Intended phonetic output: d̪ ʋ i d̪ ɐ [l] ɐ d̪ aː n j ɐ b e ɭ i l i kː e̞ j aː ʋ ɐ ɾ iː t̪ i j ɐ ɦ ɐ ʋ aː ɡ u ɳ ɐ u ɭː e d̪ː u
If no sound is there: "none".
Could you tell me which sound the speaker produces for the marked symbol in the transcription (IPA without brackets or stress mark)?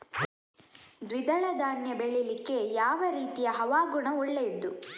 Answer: ɭ